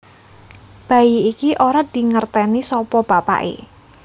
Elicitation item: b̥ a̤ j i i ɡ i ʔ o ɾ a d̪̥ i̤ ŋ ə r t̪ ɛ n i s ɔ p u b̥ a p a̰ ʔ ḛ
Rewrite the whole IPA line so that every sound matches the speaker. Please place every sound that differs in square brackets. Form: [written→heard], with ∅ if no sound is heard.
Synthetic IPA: b̥ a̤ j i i [ɡ→k] i ʔ o ɾ a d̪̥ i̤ ŋ ə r t̪ ɛ n i s ɔ p [u→ɔ] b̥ a p a̰ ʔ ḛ